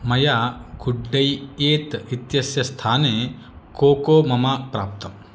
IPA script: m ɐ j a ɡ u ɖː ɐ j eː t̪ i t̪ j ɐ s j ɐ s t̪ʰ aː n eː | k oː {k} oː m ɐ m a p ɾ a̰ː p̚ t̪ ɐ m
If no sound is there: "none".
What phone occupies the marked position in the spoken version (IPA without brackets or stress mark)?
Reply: k